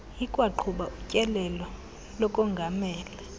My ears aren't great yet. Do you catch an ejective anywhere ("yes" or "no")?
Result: yes